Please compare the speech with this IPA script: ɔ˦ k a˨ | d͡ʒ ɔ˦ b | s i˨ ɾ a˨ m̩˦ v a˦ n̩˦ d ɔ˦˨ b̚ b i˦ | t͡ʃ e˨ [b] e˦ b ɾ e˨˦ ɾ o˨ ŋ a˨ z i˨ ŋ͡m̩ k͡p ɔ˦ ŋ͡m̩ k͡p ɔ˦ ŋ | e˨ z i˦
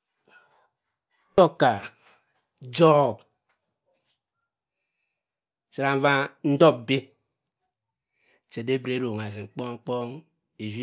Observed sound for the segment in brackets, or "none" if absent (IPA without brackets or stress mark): d